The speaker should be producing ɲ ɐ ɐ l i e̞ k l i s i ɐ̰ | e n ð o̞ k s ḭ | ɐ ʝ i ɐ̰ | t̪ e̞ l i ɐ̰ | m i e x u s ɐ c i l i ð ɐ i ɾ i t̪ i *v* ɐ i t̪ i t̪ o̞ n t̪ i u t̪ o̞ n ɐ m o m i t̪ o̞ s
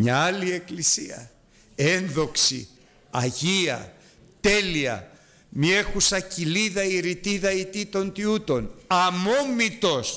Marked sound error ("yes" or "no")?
yes